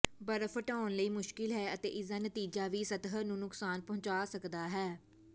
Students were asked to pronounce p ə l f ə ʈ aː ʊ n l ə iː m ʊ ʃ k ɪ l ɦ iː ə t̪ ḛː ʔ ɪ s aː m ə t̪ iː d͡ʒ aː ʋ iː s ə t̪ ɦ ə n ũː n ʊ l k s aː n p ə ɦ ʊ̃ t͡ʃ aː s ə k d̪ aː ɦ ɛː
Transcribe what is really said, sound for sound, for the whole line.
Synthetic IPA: b ə ɾ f ə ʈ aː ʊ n l ə iː m ʊ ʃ k ɪ l ɦ ɛː ə t̪ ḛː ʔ ɪ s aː n ə t̪ iː d͡ʒ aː ʋ iː s ə t̪ ɦ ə n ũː n ʊ k s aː n p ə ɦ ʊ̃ t͡ʃ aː s ə k d̪ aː ɦ ɛː